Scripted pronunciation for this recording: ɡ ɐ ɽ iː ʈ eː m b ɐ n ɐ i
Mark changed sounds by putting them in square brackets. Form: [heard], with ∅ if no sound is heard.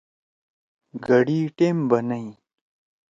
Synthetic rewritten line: ɡ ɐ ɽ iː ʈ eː m b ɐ n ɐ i